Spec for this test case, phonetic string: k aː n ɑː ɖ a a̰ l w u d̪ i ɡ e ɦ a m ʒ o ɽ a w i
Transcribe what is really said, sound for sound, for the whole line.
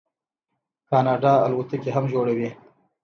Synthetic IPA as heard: k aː n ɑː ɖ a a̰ l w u t̪ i k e ɦ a m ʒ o ɽ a w i